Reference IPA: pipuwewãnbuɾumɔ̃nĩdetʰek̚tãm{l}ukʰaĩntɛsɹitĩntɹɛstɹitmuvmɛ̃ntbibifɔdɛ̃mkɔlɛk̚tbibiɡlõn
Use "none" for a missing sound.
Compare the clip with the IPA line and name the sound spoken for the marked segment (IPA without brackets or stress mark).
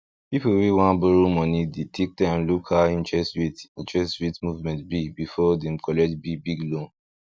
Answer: l